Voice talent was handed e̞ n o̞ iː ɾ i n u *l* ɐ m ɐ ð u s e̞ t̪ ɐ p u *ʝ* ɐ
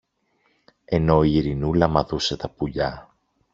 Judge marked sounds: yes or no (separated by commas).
yes, no